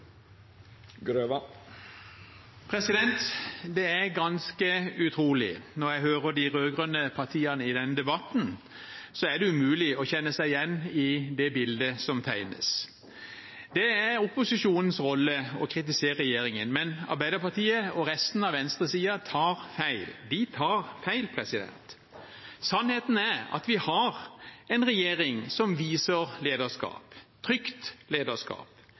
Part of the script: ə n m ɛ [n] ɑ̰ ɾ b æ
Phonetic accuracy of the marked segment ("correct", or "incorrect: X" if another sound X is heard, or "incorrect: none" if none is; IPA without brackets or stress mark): correct